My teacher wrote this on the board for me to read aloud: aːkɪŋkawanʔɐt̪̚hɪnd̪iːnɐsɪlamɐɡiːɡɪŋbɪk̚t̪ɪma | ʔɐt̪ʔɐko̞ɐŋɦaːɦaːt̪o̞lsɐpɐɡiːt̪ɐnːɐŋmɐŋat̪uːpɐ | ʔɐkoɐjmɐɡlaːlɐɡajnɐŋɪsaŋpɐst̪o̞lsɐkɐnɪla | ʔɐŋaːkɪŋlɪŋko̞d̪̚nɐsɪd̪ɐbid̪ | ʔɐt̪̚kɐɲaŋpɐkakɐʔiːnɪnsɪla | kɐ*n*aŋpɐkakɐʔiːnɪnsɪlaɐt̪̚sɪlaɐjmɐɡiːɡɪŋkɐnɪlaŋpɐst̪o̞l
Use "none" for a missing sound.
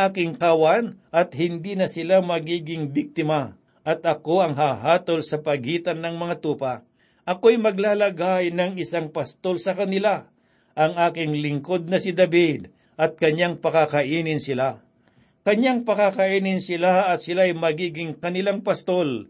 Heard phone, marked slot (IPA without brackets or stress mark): ɲ